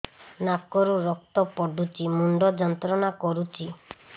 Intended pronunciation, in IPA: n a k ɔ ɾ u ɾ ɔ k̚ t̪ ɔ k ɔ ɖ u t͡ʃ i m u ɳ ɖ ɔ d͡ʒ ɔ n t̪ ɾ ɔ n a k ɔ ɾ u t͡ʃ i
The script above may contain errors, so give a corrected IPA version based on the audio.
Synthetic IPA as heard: n a k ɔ ɾ u ɾ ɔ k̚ t̪ ɔ p ɔ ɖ u t͡ʃ i m u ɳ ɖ ɔ d͡ʒ ɔ n t̪ ɾ ɔ n a k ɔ ɾ u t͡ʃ i